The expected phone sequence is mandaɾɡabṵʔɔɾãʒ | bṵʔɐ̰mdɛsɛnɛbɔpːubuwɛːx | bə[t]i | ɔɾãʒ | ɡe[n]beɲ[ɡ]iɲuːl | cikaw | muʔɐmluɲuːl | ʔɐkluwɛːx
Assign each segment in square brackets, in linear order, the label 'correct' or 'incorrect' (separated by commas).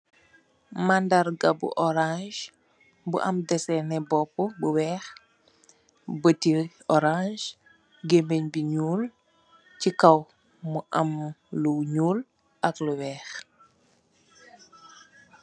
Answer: correct, incorrect, incorrect